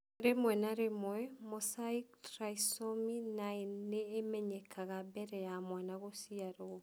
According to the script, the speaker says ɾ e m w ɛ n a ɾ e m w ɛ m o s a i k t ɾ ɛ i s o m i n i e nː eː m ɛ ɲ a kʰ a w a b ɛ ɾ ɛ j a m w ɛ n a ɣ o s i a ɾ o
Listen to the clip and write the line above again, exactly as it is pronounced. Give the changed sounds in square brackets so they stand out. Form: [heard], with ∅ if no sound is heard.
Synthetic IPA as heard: ɾ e m w ɛ n a ɾ e m w ɛ m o s a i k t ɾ [a] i s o m i n [a] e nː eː m ɛ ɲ [ɛ] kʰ a [ɣ] a b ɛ ɾ ɛ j a m w [a] n a ɣ o s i a ɾ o